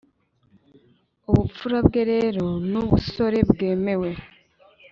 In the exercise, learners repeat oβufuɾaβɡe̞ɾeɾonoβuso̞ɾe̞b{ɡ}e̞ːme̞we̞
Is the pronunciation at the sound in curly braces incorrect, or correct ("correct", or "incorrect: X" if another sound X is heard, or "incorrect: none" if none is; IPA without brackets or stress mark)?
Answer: correct